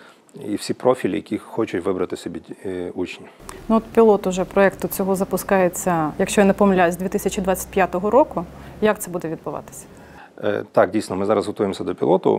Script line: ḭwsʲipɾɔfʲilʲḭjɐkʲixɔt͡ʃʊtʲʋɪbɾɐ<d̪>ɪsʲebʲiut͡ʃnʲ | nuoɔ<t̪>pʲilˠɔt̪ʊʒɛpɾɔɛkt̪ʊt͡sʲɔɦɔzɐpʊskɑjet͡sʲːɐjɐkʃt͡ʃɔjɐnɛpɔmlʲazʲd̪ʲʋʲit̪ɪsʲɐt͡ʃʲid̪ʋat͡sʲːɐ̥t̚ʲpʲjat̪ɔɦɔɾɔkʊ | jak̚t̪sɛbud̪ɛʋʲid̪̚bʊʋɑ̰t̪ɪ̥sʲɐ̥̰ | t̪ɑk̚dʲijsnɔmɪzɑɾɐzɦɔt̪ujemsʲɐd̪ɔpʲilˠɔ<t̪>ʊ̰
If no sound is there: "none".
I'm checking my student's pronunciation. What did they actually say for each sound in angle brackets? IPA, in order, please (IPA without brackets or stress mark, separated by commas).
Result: t̪, t̪, t̪